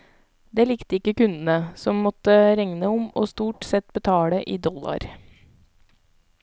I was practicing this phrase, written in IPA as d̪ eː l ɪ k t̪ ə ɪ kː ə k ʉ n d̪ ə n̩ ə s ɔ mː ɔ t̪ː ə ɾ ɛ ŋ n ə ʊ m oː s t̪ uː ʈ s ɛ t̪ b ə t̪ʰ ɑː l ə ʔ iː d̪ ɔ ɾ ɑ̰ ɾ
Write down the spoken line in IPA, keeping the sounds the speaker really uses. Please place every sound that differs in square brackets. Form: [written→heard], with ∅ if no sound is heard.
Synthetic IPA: d̪ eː l ɪ k t̪ ə ɪ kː ə k ʉ n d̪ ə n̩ ə s ɔ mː ɔ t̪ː ə ɾ ɛ ŋ n ə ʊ m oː s t̪ uː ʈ s ɛ t̪ b ə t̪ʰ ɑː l ə ʔ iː d̪ ɔ [ɾ→l] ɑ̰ ɾ